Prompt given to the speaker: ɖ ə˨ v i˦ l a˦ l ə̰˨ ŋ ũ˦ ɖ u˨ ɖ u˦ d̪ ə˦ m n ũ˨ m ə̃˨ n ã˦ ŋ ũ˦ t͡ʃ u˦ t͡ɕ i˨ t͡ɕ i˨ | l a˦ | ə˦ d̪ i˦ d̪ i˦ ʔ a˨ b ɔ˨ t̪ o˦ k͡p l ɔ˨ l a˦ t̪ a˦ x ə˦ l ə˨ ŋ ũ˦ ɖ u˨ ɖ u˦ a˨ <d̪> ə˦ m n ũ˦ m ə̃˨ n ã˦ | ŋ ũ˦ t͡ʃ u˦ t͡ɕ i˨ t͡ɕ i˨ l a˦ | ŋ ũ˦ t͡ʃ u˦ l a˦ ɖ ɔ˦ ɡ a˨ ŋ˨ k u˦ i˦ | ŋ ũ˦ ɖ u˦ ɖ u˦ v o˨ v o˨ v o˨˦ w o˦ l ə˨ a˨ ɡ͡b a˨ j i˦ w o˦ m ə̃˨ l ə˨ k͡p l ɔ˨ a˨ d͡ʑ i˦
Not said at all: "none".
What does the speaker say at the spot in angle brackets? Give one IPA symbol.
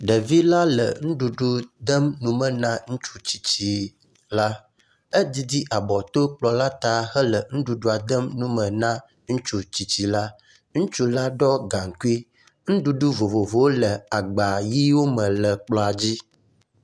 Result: d̪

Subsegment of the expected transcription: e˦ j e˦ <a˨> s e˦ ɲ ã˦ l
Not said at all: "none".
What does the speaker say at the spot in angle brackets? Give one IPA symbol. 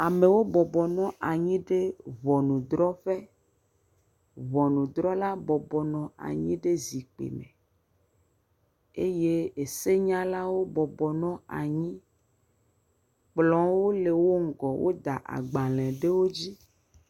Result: e˨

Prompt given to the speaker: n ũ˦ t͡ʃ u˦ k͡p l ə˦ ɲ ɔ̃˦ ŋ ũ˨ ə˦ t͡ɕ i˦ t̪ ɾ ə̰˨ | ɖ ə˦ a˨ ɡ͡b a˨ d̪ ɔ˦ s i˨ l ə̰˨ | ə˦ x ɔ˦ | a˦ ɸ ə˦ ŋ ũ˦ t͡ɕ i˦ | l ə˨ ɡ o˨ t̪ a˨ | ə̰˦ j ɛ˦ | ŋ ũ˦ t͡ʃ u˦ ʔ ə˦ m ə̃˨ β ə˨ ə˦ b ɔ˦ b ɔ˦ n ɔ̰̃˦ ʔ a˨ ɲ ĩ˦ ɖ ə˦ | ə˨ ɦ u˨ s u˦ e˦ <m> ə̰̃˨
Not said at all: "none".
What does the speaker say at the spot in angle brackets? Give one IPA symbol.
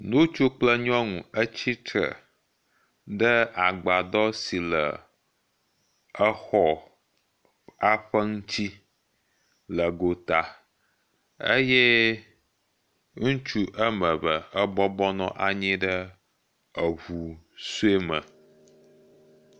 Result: m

